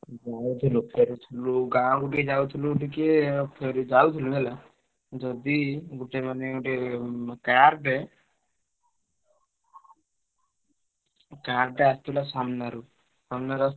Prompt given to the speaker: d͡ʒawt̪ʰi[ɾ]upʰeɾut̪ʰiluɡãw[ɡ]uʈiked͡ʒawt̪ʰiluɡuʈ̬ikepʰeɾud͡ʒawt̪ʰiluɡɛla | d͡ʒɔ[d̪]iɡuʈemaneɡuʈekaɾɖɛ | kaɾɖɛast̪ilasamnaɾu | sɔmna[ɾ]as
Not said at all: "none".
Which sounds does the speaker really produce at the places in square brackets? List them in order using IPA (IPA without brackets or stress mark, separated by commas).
l, ɡ, d̪, ɾ